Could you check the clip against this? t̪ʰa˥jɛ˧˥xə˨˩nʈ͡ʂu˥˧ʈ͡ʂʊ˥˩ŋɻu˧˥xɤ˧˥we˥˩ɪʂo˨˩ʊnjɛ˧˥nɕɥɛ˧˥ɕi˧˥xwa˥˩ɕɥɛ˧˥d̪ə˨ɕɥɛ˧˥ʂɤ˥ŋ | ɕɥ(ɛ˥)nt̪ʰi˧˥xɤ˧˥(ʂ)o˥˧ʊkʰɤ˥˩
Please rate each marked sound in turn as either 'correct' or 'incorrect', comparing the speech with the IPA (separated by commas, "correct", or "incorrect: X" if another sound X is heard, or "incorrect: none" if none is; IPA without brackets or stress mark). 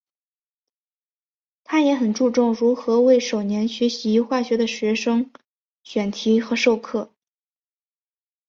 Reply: incorrect: ɛ˨˩, correct